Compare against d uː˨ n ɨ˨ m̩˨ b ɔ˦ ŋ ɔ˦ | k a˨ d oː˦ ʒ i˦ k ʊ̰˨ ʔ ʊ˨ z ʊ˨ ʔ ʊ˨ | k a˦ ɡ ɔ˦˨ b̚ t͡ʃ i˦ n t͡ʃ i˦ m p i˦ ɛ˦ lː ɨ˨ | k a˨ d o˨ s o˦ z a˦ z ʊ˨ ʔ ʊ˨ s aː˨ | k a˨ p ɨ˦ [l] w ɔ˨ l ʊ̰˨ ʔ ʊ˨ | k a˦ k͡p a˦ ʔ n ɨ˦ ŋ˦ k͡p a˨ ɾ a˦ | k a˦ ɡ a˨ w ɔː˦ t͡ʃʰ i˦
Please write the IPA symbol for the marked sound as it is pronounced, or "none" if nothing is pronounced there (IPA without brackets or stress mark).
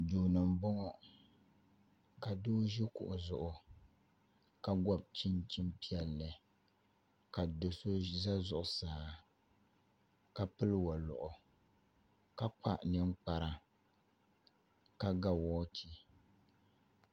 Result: l